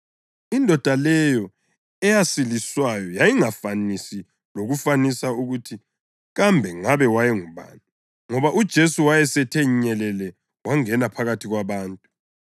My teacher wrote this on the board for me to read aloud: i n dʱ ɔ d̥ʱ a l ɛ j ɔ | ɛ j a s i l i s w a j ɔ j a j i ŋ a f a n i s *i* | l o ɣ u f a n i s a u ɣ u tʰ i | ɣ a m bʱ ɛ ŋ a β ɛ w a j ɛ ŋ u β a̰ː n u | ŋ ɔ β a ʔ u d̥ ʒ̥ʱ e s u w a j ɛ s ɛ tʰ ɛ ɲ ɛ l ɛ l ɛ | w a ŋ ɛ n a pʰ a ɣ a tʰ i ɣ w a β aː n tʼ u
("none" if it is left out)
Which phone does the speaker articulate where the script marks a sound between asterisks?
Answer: i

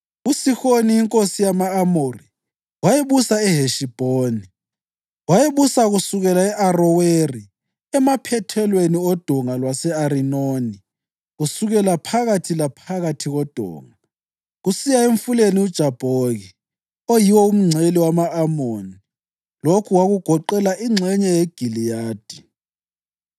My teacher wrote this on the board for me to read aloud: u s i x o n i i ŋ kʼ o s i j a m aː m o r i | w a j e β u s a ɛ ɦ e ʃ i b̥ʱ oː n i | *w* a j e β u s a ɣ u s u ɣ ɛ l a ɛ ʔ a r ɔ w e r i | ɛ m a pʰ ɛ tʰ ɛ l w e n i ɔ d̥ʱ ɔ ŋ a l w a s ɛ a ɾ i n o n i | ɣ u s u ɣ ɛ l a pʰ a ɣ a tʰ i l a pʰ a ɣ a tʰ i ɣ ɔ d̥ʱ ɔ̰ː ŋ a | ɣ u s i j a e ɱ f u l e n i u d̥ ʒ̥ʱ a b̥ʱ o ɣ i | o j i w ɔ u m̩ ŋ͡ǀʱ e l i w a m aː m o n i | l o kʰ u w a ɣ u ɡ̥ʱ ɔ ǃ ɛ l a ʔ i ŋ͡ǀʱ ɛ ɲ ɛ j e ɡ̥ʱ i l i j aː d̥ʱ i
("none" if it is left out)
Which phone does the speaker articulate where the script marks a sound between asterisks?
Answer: w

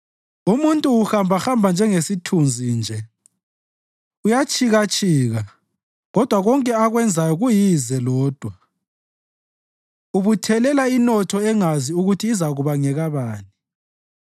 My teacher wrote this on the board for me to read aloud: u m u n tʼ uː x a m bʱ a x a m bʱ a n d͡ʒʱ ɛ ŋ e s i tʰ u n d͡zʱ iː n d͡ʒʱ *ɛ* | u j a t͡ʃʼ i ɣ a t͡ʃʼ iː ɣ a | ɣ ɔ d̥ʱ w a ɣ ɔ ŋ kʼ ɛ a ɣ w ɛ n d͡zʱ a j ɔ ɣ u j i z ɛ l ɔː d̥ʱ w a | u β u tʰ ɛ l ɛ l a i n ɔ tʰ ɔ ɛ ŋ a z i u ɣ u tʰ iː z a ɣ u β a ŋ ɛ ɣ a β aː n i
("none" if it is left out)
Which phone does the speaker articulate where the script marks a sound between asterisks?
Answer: ɛ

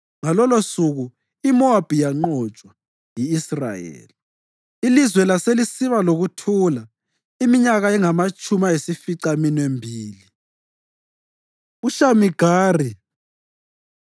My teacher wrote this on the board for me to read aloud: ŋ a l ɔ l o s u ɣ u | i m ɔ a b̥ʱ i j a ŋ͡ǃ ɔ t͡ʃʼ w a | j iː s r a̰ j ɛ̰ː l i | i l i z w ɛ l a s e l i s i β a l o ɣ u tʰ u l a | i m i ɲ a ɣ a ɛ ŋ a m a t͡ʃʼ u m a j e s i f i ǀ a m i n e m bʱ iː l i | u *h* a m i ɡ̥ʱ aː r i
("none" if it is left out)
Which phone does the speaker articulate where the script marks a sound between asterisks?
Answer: ʃ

